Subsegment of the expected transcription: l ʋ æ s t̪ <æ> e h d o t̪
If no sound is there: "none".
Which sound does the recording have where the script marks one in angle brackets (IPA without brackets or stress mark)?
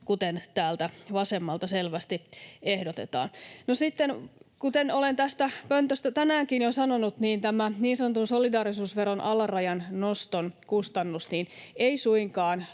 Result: i